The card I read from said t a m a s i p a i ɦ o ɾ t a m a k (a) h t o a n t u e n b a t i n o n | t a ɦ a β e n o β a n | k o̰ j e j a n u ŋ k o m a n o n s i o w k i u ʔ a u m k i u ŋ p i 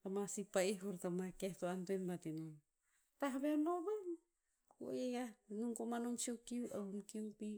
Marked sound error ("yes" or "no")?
yes